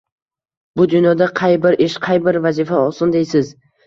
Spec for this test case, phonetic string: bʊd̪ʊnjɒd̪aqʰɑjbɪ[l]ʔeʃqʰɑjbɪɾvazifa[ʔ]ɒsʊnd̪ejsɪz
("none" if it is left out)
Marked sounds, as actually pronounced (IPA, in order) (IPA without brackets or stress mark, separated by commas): ɾ, none